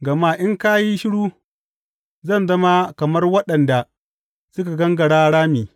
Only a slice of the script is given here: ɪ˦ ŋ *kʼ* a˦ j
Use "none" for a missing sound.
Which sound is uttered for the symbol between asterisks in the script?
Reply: k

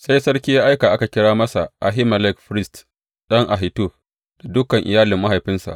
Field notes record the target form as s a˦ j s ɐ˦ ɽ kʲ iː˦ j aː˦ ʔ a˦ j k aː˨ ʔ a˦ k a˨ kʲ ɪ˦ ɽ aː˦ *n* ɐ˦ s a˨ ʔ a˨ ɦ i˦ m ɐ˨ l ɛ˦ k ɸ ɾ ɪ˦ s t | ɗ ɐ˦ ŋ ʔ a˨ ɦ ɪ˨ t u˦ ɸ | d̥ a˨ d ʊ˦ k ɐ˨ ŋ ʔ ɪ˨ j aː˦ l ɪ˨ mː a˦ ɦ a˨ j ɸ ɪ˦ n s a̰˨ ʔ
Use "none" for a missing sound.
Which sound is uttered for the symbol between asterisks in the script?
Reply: m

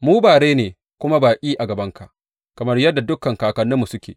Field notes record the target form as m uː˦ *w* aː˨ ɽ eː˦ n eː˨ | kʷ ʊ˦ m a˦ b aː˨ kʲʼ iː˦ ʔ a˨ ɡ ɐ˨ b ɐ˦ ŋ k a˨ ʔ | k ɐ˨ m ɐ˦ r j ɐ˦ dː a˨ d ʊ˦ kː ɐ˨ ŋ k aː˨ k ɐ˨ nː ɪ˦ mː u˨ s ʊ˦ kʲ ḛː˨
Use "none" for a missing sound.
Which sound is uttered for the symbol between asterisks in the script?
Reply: b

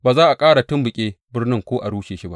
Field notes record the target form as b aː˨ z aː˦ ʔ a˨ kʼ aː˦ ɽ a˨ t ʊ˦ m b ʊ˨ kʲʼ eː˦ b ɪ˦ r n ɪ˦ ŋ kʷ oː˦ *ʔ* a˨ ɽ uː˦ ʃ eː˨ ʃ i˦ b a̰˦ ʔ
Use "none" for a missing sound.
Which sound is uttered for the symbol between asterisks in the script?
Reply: ʔ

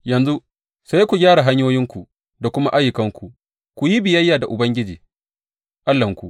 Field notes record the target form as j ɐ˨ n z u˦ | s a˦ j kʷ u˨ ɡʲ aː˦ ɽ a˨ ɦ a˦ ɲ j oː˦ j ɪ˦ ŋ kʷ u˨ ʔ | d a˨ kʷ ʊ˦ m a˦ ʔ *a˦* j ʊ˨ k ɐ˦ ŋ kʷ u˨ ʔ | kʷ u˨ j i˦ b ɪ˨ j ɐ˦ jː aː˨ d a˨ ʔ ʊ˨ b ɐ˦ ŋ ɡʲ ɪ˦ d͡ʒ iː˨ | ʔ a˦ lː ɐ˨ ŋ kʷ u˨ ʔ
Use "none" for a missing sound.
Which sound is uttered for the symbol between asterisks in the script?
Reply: a˦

